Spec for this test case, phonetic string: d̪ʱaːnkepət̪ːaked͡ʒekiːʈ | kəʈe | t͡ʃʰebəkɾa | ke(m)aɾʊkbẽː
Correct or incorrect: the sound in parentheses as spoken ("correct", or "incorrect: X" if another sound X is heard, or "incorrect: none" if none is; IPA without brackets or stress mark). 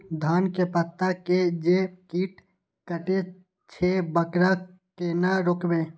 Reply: incorrect: n